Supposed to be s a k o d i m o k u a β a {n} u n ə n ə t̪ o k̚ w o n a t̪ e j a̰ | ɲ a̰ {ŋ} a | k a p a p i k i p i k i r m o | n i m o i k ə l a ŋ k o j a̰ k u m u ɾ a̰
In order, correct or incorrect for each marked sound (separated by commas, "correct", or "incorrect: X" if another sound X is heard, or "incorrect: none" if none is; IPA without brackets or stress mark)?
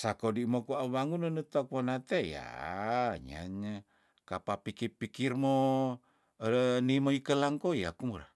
incorrect: ŋ, incorrect: ɲ